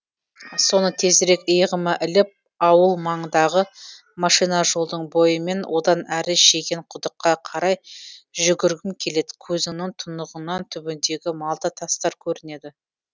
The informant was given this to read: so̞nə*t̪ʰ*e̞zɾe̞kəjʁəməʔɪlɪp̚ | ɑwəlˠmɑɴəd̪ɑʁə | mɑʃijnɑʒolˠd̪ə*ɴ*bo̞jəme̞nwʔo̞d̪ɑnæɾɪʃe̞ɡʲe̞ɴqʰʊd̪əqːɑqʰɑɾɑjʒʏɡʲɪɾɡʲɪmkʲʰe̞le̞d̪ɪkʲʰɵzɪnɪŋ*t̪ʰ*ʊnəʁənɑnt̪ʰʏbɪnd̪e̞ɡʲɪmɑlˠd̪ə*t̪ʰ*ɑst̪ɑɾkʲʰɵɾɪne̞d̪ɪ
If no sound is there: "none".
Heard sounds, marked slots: t̪ʰ, ɴ, t̪ʰ, t̪ʰ

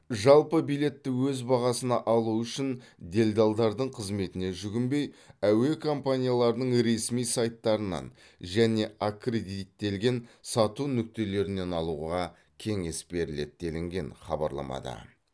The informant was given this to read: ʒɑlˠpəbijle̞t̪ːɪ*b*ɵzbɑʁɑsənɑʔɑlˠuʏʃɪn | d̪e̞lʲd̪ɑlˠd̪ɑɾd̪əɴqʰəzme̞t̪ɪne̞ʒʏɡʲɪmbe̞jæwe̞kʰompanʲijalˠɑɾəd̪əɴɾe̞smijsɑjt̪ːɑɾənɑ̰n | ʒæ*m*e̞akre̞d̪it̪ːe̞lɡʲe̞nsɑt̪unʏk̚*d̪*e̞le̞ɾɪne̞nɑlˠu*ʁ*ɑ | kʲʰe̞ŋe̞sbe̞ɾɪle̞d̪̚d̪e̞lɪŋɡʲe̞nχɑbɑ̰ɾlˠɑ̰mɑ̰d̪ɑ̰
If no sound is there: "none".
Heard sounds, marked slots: w, n, t̪, ʁ

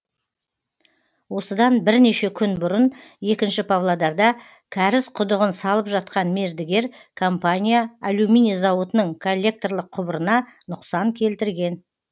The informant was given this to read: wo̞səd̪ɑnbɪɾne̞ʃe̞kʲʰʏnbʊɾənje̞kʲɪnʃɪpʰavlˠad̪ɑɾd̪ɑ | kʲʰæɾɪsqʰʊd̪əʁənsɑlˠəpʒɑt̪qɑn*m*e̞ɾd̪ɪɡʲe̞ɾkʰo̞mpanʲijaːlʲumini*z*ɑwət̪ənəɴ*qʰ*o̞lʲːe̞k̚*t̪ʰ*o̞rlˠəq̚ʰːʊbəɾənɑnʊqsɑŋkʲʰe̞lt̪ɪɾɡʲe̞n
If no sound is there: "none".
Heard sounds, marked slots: m, z, kʰ, t̪

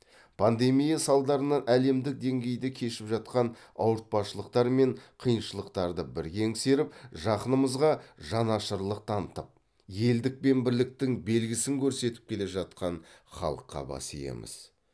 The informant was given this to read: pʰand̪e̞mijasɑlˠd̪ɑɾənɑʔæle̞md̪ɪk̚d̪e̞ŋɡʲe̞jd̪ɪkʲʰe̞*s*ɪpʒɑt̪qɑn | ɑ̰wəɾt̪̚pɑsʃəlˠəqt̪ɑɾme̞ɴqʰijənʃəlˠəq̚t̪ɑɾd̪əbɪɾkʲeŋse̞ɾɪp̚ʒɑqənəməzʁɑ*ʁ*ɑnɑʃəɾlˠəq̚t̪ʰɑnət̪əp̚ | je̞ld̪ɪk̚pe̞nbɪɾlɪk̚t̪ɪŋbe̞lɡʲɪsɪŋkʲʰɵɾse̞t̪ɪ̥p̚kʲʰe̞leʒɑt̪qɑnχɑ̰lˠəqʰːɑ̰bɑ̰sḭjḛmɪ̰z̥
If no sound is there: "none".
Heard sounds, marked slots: ʃ, ʒ

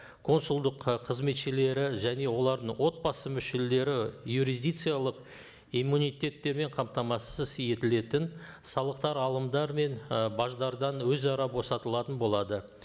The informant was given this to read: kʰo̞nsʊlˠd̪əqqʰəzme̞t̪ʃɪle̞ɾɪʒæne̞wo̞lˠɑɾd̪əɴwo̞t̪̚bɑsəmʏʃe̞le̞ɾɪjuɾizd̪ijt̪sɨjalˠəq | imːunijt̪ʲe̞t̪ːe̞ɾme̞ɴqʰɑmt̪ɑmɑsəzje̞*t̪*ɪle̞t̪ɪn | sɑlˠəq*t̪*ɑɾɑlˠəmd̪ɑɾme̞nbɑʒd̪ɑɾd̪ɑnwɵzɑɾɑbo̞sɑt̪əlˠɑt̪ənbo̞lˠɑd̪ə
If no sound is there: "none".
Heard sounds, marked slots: t̪, t̪

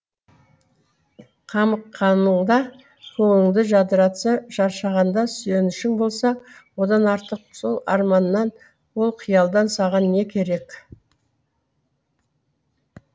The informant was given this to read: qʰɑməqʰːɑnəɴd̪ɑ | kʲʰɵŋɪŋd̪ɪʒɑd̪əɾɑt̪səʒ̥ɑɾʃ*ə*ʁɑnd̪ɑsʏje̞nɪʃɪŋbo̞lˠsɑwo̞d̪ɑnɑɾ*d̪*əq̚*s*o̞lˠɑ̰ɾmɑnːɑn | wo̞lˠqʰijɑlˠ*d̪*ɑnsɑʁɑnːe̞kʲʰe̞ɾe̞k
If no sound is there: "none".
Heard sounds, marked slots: ɑ, t̪, s, d̪

